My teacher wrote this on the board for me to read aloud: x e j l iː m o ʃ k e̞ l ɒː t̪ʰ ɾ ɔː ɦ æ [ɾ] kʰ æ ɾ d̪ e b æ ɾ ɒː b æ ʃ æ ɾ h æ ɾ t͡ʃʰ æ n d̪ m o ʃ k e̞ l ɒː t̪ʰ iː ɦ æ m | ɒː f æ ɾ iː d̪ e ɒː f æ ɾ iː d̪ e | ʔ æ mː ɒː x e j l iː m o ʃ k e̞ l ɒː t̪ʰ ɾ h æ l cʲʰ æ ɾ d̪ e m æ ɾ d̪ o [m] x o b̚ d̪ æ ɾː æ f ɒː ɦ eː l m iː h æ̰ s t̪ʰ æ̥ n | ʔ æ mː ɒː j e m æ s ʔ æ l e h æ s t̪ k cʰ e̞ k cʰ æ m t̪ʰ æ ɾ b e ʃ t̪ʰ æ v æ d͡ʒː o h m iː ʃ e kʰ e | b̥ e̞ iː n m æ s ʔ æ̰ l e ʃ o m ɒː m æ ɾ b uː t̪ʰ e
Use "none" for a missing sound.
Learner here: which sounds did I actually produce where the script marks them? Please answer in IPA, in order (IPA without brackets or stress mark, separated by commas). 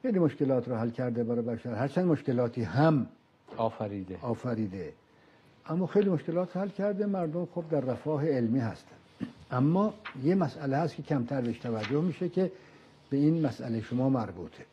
l, m